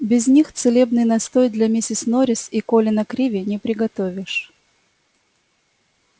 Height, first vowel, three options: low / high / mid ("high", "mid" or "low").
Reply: high